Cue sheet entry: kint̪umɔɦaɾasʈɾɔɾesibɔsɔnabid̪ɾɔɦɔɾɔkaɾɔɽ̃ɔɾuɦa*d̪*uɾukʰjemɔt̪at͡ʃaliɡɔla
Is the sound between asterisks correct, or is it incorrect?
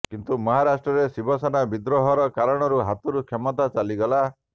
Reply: incorrect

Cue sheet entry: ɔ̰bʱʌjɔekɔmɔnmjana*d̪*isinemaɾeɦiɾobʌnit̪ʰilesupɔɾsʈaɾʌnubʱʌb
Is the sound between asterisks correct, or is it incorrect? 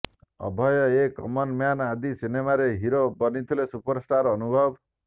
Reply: correct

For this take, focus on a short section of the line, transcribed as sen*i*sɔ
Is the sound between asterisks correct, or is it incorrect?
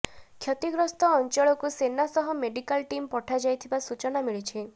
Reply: incorrect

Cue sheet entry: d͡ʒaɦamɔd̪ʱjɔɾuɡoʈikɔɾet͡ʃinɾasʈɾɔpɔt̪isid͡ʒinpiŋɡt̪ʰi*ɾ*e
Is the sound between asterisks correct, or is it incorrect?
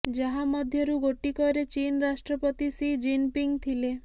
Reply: incorrect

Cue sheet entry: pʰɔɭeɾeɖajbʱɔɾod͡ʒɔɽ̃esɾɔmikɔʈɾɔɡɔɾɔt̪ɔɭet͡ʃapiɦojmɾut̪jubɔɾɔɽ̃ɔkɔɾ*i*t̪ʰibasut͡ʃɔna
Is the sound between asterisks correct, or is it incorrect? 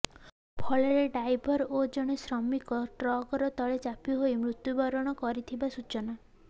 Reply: correct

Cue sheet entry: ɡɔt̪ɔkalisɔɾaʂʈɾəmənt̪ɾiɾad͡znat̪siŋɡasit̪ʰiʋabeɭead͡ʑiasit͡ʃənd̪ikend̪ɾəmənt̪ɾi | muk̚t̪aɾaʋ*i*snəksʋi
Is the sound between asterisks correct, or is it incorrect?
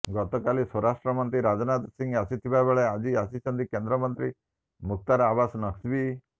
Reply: incorrect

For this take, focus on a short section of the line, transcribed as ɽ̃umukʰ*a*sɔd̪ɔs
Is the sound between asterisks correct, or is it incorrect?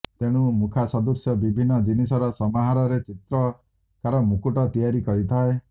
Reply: correct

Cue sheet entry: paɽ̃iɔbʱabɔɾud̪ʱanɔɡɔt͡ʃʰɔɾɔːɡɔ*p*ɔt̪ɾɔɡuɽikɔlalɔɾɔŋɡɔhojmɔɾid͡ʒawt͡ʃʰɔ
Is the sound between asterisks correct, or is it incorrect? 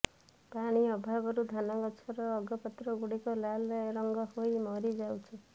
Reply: correct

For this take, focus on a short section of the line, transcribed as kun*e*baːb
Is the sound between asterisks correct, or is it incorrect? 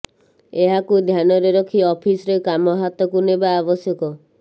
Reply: correct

